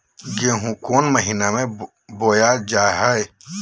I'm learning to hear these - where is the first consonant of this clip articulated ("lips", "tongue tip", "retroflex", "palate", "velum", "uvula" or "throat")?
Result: velum